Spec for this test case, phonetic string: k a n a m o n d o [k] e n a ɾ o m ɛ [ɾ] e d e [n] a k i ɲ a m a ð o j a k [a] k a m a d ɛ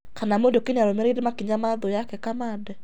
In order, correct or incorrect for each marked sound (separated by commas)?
correct, correct, incorrect, incorrect